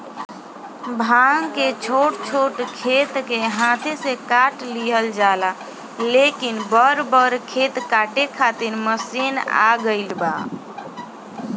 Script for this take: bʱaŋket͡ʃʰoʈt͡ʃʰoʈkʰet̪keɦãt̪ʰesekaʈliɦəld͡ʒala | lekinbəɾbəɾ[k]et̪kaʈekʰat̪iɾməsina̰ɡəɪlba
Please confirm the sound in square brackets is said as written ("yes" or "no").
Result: no